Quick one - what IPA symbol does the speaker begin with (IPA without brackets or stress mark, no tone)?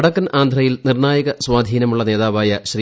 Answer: ɽ